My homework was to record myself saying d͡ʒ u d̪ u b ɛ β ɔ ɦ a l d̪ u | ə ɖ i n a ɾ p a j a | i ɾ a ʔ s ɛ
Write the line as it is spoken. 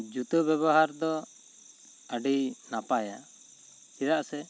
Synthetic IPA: d͡ʒ u t̪ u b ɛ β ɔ ɦ a ɾ d̪ ɔ | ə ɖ i n a p a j a | i ɾ a ʔ s ɛ